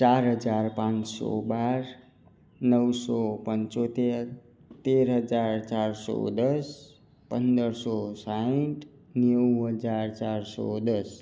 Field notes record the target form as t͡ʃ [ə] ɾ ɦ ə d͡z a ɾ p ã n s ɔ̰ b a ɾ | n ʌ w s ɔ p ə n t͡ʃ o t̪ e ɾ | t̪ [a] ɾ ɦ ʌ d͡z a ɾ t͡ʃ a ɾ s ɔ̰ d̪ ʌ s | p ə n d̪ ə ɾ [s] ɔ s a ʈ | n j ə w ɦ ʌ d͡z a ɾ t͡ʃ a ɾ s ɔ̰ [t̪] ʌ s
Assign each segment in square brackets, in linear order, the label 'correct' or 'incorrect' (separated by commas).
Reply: incorrect, incorrect, correct, incorrect